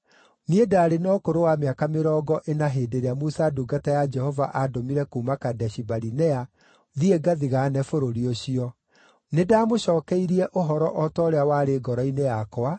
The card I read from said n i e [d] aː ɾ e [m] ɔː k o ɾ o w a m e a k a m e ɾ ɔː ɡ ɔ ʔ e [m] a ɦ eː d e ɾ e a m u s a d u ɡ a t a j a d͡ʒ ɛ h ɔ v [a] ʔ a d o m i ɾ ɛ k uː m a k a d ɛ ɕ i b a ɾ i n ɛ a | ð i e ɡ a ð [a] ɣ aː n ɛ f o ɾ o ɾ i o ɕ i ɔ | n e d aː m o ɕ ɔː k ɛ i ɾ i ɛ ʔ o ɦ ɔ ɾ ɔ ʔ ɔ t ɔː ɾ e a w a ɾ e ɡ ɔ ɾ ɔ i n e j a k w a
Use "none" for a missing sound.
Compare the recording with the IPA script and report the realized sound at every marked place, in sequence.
d, n, n, a, i

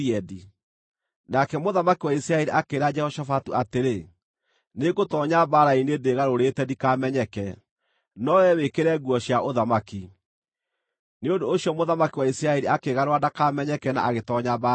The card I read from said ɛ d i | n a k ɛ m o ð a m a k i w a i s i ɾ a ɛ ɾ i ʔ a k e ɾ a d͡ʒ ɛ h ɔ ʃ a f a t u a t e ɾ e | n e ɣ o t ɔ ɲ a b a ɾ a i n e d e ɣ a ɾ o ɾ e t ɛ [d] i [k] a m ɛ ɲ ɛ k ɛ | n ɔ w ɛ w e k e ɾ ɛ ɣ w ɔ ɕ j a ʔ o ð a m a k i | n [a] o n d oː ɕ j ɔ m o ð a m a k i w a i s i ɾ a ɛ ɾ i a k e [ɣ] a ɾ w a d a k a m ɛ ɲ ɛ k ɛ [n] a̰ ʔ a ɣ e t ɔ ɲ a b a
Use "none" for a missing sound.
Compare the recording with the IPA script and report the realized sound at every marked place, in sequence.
d, k, e, ɣ, n

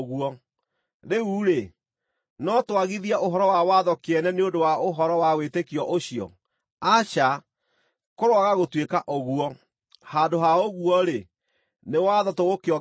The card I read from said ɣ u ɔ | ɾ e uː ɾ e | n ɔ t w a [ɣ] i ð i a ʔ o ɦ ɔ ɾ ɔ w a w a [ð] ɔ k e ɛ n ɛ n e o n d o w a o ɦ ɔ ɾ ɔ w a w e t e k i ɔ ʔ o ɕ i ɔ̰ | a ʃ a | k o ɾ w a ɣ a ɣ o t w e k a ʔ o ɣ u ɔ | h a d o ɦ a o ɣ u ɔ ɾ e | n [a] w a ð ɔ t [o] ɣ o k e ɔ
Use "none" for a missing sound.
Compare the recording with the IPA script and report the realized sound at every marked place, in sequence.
ɣ, ð, e, o

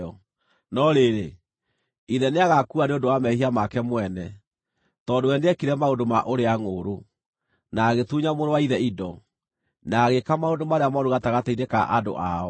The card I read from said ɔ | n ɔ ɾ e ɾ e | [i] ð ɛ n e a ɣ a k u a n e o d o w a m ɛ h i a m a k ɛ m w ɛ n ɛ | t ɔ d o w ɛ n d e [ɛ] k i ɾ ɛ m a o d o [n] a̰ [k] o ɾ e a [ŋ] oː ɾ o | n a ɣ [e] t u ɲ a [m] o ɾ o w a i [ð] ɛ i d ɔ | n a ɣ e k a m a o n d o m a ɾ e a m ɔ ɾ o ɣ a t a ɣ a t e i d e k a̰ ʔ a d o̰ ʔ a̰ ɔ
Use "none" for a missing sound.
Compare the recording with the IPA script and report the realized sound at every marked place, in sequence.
i, ɛ, m, ʔ, ŋ, e, m, ð

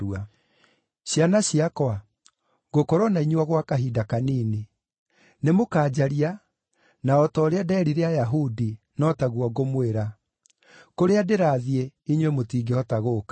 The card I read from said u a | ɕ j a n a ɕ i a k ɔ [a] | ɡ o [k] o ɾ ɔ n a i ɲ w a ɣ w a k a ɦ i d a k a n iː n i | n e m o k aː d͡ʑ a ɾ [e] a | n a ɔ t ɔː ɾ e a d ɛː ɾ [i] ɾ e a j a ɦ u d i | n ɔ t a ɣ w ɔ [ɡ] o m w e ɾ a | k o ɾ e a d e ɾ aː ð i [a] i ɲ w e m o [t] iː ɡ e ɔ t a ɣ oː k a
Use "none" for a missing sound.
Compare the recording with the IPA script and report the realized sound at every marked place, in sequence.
a, k, i, i, ɡ, e, t

